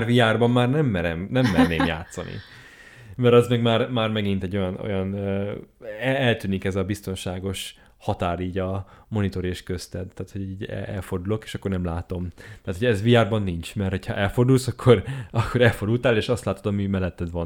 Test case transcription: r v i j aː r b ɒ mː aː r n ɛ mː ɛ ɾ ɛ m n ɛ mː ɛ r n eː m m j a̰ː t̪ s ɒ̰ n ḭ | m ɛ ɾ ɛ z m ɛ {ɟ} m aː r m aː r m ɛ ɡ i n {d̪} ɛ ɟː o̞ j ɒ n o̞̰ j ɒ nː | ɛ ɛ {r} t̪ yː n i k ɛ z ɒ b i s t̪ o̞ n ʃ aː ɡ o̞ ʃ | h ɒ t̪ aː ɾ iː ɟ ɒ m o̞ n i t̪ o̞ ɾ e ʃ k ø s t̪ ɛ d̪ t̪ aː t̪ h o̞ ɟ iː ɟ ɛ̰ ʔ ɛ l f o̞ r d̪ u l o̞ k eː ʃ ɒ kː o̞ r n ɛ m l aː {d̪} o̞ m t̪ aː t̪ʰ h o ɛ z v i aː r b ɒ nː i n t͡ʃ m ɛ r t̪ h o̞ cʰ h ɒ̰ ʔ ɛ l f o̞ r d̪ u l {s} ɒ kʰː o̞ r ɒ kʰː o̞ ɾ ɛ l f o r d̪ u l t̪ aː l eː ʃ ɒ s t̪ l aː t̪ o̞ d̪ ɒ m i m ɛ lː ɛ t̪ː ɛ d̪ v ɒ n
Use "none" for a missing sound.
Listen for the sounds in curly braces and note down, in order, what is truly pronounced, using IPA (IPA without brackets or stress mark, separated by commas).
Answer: ɡ, t̪, l, t̪, s